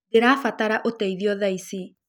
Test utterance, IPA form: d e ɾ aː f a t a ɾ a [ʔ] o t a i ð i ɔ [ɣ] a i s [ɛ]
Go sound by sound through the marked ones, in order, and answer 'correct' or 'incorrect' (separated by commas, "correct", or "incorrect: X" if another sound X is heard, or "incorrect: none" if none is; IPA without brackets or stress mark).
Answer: correct, incorrect: ð, incorrect: i